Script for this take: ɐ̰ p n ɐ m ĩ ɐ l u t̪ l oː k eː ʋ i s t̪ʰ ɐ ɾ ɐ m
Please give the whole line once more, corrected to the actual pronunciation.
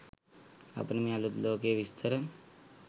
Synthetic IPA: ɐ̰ p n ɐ m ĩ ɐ l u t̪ l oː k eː ʋ i s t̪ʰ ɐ ɾ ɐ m